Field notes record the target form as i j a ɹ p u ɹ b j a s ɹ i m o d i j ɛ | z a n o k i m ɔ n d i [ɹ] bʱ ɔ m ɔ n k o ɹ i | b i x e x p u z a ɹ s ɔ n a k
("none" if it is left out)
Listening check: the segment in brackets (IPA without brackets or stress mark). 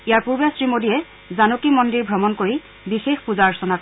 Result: ɹ